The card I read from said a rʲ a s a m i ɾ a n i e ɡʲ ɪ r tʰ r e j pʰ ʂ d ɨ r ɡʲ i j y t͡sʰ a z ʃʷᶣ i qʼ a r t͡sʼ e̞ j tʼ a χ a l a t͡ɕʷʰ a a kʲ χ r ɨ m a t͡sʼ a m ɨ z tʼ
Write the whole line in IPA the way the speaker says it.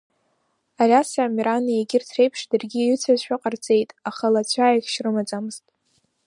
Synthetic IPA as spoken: a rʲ a s a m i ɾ a n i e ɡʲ ɪ r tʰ r e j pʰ ʂ d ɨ r ɡʲ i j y t͡sʰ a z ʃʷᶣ a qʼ a r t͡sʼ e̞ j tʼ a χ a l a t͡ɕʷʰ a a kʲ ʃ r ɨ m a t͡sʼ a m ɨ z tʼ